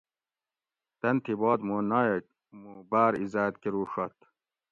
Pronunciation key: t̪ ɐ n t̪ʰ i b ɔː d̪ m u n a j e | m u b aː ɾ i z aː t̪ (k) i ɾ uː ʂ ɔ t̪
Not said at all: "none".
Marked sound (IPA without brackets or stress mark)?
k